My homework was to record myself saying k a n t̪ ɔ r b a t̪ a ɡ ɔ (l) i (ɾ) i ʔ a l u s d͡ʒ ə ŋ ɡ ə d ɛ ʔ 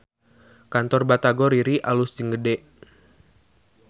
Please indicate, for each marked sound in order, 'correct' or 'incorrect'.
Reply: incorrect: ɾ, correct

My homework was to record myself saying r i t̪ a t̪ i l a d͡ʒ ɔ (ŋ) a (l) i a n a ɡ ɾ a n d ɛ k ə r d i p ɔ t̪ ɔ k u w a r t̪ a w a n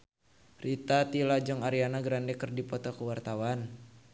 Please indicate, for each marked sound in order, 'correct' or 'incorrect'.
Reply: correct, incorrect: ɾ

